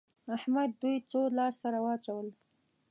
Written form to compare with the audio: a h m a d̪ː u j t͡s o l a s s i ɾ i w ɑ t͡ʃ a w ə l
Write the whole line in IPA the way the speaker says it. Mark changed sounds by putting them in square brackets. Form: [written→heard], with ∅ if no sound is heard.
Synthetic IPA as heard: a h m a d̪ː u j t͡s o l [a→ɑ] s s [i→a] ɾ [i→a] w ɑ t͡ʃ a w ə l